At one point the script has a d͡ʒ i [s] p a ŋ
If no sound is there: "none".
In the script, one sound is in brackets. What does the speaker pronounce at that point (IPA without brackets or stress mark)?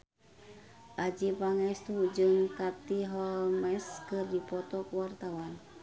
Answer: none